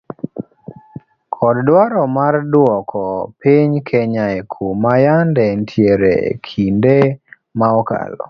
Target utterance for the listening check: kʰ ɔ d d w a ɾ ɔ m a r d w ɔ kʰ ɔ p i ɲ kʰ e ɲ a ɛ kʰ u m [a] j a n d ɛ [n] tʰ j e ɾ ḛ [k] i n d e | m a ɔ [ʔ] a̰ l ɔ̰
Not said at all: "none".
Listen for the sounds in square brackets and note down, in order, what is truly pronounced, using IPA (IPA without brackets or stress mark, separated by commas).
a, n, kʰ, k